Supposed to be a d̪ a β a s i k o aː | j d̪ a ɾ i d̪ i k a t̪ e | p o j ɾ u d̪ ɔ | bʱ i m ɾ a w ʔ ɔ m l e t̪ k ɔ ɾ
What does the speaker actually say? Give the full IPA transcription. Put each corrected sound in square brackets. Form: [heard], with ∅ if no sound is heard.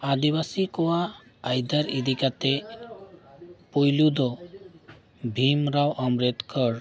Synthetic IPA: a d̪ [i] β a s i k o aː | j d̪ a ɾ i d̪ i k a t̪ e | p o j [l] u d̪ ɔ | bʱ i m ɾ a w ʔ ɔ m [ɾ] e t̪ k ɔ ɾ